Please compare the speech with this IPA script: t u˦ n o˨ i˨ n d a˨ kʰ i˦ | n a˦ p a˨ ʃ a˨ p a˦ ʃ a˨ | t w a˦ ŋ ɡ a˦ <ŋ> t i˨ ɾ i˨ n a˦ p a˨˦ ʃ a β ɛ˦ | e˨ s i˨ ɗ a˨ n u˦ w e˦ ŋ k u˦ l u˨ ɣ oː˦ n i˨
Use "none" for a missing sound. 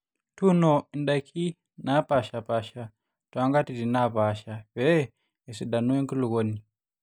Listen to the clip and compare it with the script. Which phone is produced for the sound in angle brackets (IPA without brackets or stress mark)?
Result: none